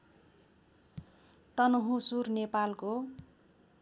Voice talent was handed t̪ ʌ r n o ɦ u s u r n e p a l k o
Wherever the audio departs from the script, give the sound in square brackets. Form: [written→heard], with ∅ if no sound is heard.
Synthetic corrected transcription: t̪ ʌ [r→∅] n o ɦ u s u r n e p a l k o